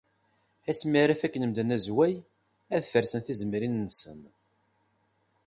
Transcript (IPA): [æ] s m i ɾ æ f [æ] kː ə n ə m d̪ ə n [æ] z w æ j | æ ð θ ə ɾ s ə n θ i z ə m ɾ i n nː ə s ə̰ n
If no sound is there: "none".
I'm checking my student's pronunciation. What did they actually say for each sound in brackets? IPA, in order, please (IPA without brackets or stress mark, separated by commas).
æ, æ, æ